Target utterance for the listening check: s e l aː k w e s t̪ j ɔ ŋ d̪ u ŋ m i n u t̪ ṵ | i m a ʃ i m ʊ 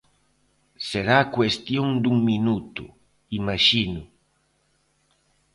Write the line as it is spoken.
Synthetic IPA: s e ɾ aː k w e s t̪ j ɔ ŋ d̪ u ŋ m i n u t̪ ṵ | i m a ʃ i n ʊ